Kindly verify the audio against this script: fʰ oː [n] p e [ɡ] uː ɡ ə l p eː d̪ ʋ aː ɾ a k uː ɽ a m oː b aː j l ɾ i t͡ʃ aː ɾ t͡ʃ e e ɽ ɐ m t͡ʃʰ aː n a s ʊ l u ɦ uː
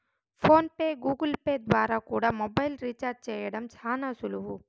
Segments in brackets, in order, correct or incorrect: correct, correct

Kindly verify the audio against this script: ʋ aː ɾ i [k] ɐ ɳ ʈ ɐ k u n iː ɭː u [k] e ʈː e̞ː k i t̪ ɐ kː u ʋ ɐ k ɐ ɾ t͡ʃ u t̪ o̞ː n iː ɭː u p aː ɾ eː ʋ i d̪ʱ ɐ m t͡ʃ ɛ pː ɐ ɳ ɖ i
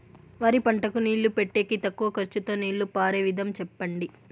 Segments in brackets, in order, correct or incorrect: incorrect: p, incorrect: p

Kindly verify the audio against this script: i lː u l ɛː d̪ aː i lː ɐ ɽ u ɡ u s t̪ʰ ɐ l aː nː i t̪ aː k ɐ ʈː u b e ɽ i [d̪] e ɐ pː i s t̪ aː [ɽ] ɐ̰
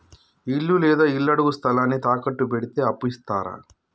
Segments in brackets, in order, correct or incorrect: incorrect: t̪, incorrect: ɾ

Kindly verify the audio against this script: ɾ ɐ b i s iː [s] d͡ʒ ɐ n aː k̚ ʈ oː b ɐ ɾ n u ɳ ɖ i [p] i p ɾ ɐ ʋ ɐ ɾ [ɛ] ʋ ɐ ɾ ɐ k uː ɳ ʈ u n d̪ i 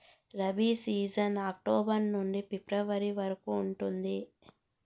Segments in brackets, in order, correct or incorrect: incorrect: none, correct, incorrect: i

